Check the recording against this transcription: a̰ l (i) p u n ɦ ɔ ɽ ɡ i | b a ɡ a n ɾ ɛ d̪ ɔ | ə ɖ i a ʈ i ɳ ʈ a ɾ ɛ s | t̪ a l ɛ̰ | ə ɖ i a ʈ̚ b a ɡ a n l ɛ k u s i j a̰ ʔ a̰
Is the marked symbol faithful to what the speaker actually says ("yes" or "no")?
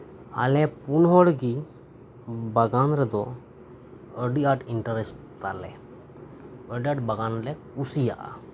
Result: no